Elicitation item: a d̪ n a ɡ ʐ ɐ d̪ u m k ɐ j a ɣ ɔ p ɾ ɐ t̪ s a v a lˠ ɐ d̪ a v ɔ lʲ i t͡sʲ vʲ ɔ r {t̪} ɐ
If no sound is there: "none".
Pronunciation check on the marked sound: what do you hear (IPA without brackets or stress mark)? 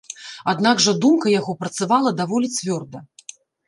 d̪